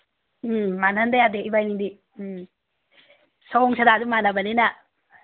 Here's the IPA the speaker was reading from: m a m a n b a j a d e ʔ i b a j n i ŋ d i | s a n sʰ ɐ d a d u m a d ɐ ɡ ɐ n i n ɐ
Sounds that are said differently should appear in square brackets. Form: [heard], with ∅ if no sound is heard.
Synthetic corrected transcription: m a [n] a n [d] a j a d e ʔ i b a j n i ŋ d i | s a [ŋ] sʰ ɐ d a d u m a [n] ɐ [b] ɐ n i n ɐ